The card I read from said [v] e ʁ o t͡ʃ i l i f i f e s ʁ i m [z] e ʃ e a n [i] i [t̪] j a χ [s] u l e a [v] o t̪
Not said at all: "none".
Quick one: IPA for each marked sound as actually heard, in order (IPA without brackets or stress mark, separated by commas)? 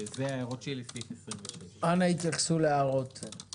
z, v, a, t̪, s, ʁ